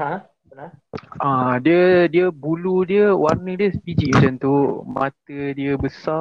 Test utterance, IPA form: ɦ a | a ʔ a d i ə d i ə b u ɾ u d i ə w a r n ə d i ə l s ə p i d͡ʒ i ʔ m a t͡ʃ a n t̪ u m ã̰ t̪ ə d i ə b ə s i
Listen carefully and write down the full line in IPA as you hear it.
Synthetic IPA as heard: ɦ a | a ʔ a d i ə d i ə b u l u d i ə w a r n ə d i ə s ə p i d͡ʒ i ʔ m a t͡ʃ a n t̪ u m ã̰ t̪ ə d i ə b ə s a